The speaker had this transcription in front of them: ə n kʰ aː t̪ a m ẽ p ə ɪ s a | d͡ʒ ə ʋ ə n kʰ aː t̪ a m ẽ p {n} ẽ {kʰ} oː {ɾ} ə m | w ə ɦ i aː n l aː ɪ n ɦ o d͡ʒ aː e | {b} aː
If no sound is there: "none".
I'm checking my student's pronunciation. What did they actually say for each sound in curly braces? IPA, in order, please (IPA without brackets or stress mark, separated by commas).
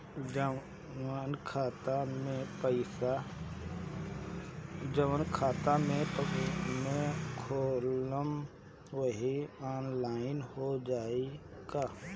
m, kʰ, l, ɡ